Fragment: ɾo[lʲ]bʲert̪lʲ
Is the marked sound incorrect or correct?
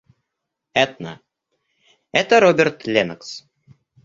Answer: incorrect